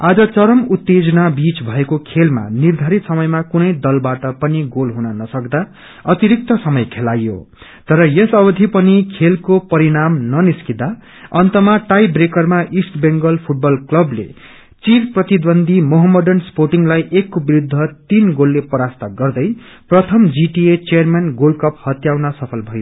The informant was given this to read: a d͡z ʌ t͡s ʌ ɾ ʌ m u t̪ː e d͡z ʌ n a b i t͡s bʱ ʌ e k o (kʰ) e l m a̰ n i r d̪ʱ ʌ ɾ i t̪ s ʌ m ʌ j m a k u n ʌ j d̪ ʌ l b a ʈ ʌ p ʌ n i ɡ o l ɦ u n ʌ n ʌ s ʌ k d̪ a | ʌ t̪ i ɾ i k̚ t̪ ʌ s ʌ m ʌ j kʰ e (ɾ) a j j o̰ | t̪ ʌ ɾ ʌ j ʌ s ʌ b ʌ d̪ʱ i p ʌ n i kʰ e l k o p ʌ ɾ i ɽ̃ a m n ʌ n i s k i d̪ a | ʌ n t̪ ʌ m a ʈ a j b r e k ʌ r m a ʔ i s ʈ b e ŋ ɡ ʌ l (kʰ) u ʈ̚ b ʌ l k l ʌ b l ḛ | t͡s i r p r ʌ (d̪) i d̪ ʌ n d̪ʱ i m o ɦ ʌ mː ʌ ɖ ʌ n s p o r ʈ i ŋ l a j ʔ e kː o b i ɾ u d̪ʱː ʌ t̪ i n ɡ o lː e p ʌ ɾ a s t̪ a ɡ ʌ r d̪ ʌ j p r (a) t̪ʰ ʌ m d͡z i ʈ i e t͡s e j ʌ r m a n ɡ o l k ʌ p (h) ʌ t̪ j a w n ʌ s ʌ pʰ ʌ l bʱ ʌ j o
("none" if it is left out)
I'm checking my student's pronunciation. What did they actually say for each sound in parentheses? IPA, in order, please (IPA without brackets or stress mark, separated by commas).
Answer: kʰ, l, pʰ, t̪, ʌ, h